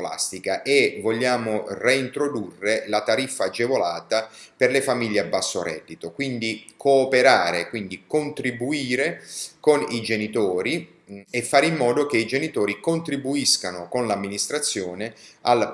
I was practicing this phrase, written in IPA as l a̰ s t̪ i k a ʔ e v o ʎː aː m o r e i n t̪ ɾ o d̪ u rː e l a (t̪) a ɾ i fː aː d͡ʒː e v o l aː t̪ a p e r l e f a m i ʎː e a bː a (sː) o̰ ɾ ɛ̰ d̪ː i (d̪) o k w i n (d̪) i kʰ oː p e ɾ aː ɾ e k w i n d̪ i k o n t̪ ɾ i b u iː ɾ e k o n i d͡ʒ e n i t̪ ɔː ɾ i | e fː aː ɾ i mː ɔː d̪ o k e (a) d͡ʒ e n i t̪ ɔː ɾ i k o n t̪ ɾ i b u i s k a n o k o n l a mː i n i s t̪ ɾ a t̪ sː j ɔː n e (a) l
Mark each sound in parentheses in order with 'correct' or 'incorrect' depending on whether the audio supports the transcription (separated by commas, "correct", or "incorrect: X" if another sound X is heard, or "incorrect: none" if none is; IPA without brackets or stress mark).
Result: correct, correct, incorrect: t̪, correct, incorrect: i, correct